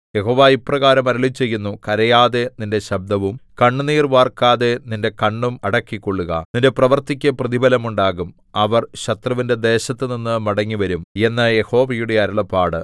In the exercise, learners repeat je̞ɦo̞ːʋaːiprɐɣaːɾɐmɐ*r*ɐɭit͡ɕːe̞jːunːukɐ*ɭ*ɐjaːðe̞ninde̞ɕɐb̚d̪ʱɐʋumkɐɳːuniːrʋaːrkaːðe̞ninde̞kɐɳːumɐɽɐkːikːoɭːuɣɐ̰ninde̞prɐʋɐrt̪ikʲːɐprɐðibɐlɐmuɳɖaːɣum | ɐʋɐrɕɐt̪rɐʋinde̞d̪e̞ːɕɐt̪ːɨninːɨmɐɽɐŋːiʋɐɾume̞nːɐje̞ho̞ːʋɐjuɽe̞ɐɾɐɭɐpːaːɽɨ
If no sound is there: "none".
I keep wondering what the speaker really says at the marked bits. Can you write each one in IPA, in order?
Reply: ɾ, ɾ

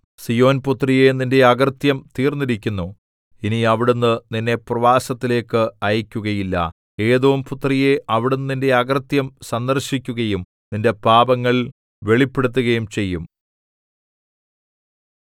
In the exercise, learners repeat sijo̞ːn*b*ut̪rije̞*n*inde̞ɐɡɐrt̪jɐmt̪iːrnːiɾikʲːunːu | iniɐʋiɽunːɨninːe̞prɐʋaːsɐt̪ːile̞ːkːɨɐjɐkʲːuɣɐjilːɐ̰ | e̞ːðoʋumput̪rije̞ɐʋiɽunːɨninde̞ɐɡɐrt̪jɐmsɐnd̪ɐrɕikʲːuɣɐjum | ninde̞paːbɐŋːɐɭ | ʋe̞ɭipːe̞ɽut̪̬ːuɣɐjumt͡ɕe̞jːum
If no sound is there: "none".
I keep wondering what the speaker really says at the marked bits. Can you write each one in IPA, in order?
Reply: p, n

